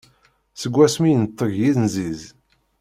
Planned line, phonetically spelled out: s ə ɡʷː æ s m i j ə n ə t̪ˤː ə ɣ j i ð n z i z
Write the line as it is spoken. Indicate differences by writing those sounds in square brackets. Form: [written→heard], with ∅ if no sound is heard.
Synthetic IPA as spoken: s ə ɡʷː æ s m i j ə n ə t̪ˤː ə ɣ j i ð n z i z